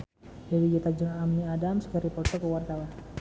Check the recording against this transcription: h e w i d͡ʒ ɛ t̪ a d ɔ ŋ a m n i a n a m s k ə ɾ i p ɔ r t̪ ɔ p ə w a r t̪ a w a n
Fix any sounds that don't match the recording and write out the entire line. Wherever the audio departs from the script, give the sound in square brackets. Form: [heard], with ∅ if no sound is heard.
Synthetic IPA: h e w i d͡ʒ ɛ t̪ a [d͡ʒ] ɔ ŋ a m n i a [d] a m s k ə ɾ i p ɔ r t̪ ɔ [k] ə w a r t̪ a w a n